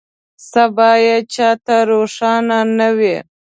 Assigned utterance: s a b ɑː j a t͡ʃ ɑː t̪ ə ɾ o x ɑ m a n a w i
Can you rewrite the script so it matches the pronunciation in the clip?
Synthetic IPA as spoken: s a b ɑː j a t͡ʃ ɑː t̪ a ɾ o ʂ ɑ n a n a w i